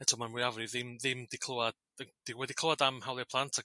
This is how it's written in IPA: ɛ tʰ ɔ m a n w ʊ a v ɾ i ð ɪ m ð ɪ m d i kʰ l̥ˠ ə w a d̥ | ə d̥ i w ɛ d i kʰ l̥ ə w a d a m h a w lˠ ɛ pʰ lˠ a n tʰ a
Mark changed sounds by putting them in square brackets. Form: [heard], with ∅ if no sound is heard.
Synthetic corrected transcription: ɛ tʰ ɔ m a n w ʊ a v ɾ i ð ɪ m ð ɪ m d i kʰ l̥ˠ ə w a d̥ | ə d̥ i w ɛ d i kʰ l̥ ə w a d a m h a w lˠ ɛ pʰ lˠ a n tʰ a